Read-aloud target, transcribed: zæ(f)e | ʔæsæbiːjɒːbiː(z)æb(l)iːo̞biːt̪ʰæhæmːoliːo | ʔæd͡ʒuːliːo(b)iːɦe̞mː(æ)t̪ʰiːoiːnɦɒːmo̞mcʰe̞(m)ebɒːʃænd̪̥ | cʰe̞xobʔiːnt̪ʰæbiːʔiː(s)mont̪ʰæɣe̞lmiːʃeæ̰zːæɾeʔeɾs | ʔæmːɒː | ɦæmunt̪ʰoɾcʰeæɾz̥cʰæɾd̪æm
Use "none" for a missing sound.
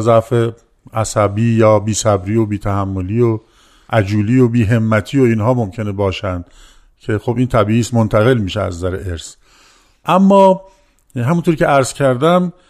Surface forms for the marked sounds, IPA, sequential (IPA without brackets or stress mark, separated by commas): f, s, ɾ, b, æ, n, s